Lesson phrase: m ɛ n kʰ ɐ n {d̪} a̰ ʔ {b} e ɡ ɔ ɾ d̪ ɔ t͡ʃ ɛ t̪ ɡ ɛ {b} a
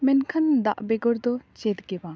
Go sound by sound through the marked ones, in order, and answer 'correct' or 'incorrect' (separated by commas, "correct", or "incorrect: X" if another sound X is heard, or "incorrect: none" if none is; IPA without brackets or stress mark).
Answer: correct, correct, correct